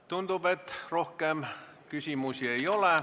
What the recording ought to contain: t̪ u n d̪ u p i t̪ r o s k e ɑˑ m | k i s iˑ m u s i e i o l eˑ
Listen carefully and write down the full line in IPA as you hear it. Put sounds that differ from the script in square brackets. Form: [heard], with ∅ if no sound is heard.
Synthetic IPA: t̪ u n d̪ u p [e] t̪ r o [h] k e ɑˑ m | k [y] s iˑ m u s i e i o l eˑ